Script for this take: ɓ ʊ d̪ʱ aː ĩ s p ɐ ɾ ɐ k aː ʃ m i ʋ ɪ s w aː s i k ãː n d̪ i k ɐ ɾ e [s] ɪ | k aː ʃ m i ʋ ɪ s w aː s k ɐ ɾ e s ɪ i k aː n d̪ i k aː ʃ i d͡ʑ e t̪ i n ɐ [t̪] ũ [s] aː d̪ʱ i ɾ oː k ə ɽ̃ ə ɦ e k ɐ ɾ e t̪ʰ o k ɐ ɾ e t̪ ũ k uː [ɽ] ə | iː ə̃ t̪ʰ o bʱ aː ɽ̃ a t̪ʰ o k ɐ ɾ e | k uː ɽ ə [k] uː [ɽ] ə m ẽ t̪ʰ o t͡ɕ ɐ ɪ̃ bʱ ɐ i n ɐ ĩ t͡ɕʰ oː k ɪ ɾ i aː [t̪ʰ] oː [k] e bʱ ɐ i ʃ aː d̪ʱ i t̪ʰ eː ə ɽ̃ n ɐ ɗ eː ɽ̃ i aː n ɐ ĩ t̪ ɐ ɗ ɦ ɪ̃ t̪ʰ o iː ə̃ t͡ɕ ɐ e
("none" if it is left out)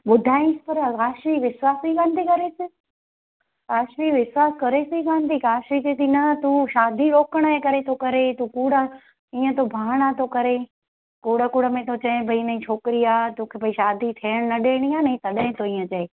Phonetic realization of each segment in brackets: s, t̪, ʃ, ɽ, k, ɽ, t̪, kʰ

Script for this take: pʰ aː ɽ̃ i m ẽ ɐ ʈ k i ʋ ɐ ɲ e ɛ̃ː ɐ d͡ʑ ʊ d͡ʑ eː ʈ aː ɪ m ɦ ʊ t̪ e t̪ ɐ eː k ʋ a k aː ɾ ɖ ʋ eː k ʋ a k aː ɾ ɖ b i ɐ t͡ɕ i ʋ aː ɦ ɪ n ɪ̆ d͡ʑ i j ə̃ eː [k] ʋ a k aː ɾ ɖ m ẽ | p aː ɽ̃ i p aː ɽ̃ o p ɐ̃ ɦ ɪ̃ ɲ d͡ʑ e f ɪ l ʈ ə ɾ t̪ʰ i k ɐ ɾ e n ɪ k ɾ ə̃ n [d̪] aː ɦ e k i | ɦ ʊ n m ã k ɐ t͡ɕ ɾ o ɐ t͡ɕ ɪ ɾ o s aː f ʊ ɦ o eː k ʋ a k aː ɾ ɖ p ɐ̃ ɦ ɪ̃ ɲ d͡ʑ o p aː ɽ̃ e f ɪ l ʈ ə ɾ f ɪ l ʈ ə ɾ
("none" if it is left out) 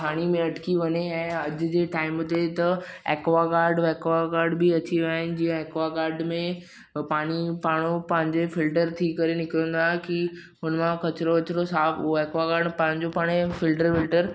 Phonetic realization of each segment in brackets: k, d̪

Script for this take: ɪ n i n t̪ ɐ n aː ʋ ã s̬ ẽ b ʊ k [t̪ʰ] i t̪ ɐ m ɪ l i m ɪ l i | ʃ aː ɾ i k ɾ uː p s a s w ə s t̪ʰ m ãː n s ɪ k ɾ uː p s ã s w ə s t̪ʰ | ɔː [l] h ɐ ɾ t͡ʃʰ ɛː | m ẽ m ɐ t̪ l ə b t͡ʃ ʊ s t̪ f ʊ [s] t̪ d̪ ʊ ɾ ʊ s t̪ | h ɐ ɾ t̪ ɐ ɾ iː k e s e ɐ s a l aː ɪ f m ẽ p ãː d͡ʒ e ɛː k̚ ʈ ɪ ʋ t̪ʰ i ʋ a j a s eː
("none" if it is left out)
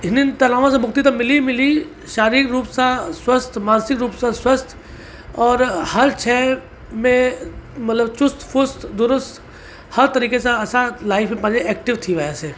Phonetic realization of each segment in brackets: t̪, ɾ, s

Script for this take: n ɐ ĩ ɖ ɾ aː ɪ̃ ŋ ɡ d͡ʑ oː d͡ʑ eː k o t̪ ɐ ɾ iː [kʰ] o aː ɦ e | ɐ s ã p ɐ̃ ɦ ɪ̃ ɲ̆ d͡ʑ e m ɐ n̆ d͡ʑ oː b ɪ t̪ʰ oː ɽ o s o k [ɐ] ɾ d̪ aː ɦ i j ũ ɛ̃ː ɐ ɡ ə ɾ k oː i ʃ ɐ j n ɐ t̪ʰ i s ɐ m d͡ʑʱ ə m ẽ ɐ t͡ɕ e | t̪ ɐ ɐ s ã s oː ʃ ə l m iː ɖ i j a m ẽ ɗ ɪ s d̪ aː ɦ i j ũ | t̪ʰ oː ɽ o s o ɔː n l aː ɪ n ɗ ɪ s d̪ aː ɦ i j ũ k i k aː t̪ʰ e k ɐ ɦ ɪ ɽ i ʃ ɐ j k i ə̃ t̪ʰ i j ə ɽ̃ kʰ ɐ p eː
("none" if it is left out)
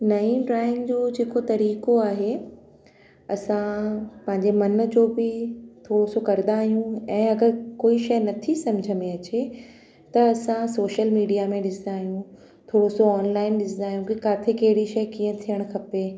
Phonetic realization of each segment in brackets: k, ɐ

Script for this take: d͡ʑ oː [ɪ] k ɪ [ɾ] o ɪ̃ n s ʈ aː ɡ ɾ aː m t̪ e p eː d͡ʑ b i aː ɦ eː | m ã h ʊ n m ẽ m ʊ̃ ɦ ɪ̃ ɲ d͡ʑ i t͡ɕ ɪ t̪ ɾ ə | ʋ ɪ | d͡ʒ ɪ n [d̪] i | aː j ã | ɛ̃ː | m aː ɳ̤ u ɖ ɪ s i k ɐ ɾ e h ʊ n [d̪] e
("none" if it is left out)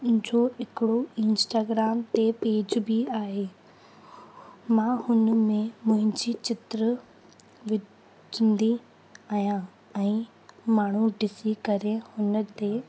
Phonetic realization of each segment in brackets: ɪ, ɽ, d̪, t̪

